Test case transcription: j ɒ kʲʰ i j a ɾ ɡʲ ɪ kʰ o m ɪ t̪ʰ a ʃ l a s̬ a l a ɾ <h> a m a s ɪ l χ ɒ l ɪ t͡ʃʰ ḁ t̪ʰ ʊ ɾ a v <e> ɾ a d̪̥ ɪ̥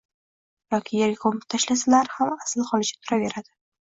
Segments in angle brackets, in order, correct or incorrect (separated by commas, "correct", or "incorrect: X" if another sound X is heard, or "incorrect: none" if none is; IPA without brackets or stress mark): correct, correct